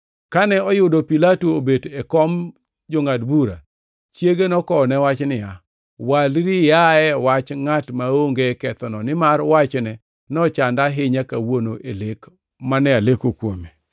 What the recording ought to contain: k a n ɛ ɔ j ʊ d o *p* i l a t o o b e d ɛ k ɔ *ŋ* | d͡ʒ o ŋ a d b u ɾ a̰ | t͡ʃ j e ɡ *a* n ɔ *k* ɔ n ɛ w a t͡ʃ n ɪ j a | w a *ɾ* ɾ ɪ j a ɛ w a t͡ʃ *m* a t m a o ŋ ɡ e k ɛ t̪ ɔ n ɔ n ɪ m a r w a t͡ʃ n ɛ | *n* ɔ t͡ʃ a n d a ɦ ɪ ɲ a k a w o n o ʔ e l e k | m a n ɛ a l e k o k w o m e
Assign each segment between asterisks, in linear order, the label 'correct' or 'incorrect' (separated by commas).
correct, incorrect, incorrect, correct, incorrect, incorrect, correct